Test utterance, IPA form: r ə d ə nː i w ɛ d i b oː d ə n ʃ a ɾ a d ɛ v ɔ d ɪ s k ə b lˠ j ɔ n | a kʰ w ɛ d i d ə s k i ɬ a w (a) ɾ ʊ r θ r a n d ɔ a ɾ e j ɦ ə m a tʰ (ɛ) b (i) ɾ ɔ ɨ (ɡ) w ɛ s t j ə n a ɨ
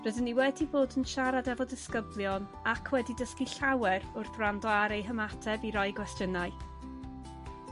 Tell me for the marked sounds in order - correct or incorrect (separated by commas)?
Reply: incorrect, correct, correct, correct